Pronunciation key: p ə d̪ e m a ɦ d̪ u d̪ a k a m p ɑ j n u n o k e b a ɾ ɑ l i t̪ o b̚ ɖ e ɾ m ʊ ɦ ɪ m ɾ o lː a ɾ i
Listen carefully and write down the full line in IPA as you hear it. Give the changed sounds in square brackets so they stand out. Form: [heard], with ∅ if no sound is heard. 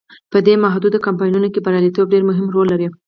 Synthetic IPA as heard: p ə d̪ e m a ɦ d̪ u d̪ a k a m p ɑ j n u n o k e b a ɾ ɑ l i t̪ o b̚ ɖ e ɾ m ʊ ɦ ɪ m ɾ o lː a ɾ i